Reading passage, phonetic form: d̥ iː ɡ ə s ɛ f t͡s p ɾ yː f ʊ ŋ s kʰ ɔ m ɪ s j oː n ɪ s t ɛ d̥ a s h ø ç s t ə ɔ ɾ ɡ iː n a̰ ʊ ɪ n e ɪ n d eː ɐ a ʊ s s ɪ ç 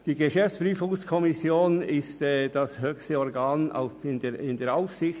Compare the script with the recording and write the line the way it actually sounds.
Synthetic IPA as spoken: d̥ iː ɡ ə ʃ ɛ f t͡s p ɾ yː f ʊ ŋ s kʰ ɔ m ɪ s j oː n ɪ s t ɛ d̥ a s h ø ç s t ə ɔ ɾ ɡ aː n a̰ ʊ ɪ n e ɪ n d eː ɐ a ʊ f s ɪ ç

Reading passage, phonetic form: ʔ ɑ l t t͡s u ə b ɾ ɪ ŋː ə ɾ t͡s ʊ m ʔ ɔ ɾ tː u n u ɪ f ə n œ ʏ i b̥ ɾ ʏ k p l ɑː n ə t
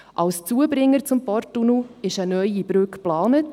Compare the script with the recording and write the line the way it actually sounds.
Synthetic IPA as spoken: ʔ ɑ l s t͡s u ə b ɾ ɪ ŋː ə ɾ t͡s ʊ m p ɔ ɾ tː u n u ɪ ʃ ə n œ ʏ i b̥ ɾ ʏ k p l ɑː n ə t

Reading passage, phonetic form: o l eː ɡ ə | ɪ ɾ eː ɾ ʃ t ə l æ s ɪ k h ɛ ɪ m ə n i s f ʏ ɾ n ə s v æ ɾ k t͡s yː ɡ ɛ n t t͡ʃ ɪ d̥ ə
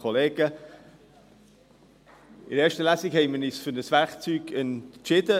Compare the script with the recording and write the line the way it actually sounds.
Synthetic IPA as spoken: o l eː ɡ ə | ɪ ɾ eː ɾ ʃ t ə l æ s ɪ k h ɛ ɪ m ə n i s f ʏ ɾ n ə s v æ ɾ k t͡s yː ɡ ɛ n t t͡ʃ ɪ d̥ ə

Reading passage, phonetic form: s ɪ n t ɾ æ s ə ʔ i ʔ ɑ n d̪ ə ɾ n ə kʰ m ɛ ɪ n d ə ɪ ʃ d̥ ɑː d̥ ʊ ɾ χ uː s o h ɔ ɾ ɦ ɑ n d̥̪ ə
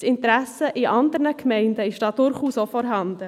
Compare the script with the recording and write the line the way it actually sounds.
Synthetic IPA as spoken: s ɪ n t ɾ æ s ə ʔ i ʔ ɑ n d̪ ə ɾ n ə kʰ m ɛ ɪ n d ə ɪ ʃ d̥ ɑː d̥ ʊ ɾ χ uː s o f ɔ ɾ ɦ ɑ n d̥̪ ə

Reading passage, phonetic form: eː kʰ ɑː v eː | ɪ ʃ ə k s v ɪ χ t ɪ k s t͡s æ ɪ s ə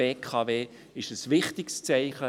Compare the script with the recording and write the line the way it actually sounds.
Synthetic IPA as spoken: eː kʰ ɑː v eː | ɪ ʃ ə s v ɪ χ t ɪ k s t͡s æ ɪ χ ə

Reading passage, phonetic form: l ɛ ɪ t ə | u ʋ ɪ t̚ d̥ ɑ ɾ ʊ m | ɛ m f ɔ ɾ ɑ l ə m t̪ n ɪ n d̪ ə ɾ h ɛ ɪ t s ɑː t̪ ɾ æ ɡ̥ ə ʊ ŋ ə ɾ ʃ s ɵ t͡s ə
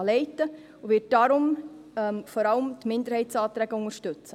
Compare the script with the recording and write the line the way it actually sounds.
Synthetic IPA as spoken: l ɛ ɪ t ə | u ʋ ɪ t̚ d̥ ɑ ɾ ʊ m | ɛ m f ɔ ɾ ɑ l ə m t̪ m ɪ n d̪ ə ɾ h ɛ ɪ t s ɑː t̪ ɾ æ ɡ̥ ə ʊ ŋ ə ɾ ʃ t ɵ t͡s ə

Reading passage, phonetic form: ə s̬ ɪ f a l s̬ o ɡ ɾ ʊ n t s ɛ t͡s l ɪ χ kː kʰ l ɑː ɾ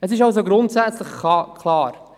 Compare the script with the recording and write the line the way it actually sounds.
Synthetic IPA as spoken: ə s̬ ɪ ʃ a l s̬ o ɡ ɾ ʊ n t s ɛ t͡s l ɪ χ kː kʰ l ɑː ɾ

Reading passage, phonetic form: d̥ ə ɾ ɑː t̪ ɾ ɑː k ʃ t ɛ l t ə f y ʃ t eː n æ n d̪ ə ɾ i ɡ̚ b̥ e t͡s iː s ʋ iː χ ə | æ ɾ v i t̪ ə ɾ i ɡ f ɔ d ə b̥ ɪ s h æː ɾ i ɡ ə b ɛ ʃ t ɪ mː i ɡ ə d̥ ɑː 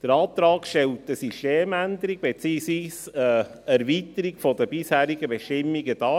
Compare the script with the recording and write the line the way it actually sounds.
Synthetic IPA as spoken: d̥ ə ɾ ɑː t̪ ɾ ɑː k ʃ t ɛ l t ə s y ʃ t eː m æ n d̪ ə ɾ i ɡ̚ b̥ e t͡s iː s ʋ iː s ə | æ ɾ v i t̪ ə ɾ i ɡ f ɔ d ə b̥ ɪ s h æː ɾ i ɡ ə b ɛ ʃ t ɪ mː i ɡ ə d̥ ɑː

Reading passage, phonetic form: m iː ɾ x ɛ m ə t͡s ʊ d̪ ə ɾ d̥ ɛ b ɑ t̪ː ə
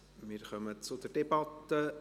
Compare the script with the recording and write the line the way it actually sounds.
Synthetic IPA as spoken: m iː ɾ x œ m ə t͡s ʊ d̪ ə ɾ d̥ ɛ b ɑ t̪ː ə

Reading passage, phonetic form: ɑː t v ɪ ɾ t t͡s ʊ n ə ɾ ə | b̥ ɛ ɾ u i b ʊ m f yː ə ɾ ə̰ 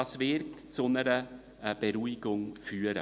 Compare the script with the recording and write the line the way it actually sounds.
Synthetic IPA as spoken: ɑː s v ɪ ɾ t t͡s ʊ n ə ɾ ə | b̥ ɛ ɾ u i ɡ ʊ ŋ f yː ə ɾ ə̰

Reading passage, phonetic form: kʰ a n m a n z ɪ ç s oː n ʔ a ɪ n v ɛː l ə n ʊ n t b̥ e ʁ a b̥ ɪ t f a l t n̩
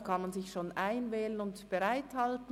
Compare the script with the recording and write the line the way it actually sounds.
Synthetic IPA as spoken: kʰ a n m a n z ɪ ç ʃ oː n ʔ a ɪ n v ɛː l ə n ʊ n t b̥ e ʁ a ɪ t h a l t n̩

